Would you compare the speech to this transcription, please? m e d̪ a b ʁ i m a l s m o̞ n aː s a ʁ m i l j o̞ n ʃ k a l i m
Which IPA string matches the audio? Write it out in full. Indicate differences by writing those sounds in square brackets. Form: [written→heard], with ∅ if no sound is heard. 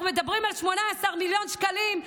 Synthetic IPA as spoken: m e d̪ a b ʁ i m a l [s→ʃ] m o̞ n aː s a ʁ m i l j o̞ n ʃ k a l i m